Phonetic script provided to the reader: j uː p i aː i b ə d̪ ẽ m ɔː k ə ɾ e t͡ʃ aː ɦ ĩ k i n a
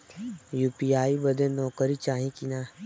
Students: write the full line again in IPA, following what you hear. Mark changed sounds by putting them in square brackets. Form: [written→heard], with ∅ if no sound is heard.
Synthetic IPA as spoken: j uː p i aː i b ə d̪ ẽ [m→n] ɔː k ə ɾ [e→i] t͡ʃ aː ɦ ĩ k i n a